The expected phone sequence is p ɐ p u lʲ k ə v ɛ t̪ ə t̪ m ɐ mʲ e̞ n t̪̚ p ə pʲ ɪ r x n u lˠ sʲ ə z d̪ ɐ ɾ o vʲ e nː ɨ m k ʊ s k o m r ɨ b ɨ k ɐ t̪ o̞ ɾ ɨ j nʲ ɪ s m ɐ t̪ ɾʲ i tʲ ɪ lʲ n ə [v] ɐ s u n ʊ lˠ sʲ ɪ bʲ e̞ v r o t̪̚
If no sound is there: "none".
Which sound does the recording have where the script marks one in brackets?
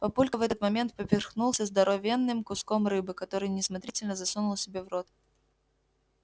z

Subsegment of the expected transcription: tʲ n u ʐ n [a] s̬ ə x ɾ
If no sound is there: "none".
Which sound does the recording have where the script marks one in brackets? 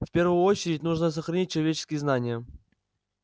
ə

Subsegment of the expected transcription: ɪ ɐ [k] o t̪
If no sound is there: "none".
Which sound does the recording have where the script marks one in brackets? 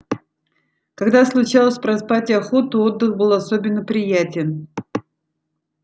x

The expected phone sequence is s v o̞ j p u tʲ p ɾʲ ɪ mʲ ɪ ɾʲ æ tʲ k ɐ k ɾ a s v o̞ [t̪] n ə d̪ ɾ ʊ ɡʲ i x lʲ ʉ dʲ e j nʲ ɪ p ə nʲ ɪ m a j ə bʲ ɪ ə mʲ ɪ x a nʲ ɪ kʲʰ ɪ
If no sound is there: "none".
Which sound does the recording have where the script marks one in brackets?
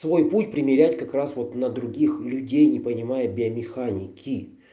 t̪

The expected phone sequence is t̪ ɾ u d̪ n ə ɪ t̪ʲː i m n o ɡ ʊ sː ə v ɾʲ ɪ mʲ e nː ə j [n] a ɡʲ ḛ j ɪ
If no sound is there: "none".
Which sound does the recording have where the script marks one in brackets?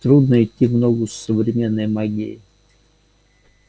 m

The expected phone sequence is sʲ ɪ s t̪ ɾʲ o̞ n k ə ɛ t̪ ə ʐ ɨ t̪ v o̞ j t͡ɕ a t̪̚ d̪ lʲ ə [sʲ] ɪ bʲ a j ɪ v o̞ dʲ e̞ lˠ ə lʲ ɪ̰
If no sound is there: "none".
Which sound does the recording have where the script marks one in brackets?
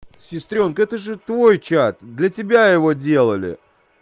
tʲ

